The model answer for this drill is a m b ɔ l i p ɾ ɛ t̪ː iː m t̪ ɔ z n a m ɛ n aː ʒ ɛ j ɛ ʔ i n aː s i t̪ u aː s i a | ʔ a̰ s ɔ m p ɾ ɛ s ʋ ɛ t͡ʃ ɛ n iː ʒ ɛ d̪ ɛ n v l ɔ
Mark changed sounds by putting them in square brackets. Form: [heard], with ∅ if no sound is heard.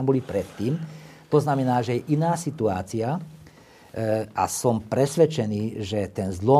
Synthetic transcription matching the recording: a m b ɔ l i p ɾ ɛ t̪ː iː m t̪ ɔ z n a m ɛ n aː ʒ ɛ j ɛ ʔ i n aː s i t̪ u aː [t͡s] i a | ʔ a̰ s ɔ m p ɾ ɛ s ʋ ɛ t͡ʃ ɛ n iː ʒ ɛ [t̪] ɛ n [z] l ɔ